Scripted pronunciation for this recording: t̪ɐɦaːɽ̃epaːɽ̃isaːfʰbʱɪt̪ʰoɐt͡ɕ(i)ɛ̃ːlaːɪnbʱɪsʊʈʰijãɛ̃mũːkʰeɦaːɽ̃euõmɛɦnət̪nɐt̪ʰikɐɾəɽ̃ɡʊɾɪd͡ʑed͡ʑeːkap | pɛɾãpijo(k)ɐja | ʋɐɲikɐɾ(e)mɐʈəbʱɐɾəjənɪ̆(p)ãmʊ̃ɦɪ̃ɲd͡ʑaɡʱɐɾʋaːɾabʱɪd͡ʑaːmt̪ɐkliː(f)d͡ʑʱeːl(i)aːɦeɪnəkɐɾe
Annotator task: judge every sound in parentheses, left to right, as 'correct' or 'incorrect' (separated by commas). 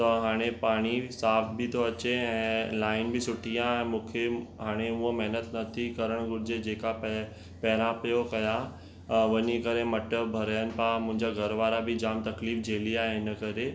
incorrect, correct, correct, correct, correct, correct